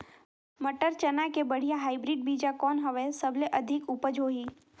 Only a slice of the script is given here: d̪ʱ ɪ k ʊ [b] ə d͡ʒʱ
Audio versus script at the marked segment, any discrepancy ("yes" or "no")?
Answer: yes